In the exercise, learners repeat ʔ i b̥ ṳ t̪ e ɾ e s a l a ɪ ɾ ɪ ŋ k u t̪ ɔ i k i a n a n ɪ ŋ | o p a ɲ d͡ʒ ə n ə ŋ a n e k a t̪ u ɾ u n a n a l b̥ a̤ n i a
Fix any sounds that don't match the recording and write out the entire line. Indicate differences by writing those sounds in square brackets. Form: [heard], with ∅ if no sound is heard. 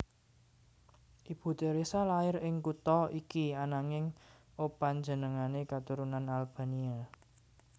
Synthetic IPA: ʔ i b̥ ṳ t̪ e ɾ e s a l a ɪ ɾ ɪ ŋ k u t̪ ɔ i k i a n a [ŋ] ɪ ŋ | o p a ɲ d͡ʒ ə n ə ŋ a n e k a t̪ u ɾ u n a n a l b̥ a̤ n i a